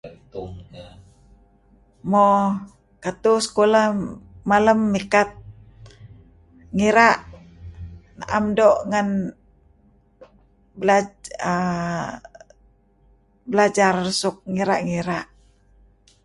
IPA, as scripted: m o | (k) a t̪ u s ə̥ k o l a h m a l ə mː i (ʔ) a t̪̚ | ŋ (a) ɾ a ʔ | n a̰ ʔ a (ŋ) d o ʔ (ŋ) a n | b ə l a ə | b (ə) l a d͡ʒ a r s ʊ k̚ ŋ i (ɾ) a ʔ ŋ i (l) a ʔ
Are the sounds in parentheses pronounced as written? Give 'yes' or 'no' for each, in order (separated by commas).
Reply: yes, no, no, no, yes, yes, yes, no